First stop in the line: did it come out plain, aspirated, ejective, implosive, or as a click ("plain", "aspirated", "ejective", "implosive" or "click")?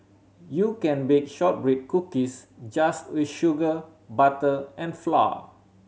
plain